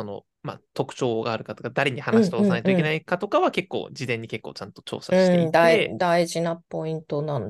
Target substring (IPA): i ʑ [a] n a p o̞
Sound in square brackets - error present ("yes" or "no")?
yes